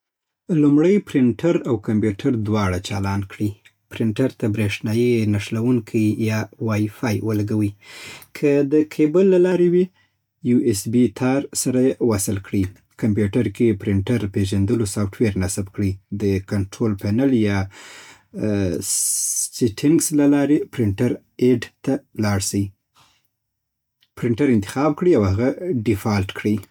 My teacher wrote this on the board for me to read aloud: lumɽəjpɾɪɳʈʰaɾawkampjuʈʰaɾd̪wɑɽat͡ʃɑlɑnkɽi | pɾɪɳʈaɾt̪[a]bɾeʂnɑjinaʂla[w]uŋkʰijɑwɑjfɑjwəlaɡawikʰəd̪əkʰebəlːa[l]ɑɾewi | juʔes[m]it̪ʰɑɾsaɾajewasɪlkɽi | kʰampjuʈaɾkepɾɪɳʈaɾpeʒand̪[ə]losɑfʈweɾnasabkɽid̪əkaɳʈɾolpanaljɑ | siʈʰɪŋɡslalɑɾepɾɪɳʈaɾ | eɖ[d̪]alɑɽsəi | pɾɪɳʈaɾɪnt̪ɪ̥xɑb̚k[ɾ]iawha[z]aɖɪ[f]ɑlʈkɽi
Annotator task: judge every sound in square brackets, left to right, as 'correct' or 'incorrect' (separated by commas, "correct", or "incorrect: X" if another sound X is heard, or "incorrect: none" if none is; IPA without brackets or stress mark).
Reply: correct, correct, correct, incorrect: b, correct, incorrect: t̪, incorrect: ɽ, incorrect: ɣ, correct